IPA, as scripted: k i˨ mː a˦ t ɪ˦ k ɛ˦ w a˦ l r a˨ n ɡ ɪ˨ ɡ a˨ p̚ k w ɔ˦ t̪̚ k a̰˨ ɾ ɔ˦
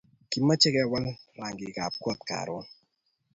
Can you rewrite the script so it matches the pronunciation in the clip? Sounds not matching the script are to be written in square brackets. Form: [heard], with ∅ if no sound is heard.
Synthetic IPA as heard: k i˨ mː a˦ [t͡ʃ] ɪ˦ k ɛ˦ w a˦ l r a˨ [ŋ] ɡ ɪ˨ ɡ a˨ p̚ k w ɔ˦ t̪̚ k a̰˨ ɾ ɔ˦